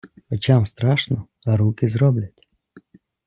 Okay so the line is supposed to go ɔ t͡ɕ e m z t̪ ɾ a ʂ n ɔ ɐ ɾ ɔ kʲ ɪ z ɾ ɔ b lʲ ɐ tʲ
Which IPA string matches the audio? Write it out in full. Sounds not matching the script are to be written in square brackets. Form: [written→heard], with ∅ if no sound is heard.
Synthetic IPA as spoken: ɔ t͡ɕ [e→a] m [z→s] t̪ ɾ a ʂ n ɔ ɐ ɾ [ɔ→u] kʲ ɪ z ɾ ɔ b lʲ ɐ tʲ